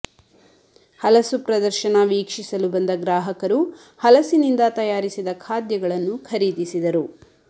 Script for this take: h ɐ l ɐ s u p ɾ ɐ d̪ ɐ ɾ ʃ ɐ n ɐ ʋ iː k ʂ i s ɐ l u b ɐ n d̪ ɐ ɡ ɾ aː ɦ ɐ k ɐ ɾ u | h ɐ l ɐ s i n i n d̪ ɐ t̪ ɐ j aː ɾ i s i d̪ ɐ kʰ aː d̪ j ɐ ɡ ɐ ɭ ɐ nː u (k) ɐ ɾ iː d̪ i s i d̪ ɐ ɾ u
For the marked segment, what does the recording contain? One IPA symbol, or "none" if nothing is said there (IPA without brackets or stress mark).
kʰ